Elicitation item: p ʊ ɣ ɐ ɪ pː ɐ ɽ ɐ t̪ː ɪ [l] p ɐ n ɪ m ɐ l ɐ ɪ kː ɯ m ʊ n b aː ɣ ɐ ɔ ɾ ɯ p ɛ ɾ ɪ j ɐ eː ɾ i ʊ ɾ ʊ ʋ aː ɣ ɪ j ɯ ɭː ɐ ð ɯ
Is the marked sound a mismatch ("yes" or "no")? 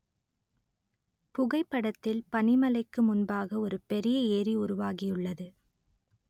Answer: no